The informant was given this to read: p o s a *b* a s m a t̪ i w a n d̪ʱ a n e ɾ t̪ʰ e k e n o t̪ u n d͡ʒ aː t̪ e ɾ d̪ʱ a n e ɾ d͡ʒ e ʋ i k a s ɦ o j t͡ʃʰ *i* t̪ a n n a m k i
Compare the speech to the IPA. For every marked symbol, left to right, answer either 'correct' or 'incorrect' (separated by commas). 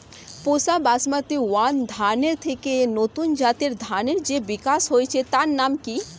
correct, incorrect